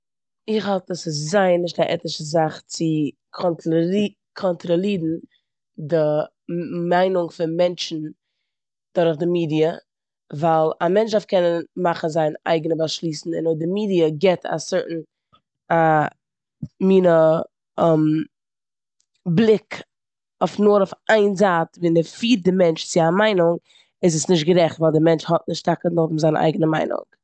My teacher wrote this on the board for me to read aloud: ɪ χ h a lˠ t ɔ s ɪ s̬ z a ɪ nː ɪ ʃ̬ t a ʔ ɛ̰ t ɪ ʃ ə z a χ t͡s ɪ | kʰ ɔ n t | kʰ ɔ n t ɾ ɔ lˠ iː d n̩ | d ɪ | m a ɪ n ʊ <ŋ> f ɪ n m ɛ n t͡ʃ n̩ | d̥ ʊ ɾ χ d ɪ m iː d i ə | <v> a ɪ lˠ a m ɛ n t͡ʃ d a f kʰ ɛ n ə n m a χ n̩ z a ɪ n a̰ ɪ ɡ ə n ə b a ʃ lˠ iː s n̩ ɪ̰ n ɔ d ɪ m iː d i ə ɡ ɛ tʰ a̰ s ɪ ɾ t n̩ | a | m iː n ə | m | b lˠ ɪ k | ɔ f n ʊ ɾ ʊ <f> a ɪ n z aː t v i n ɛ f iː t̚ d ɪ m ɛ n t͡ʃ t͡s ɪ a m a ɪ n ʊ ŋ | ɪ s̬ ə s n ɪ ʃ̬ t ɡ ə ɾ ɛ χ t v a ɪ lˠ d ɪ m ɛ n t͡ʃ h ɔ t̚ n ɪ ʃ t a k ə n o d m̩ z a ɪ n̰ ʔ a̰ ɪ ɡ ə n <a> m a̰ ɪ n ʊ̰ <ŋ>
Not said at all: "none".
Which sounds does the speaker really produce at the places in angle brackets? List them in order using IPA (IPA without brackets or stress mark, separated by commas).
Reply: ŋ, v, f, ə, ŋ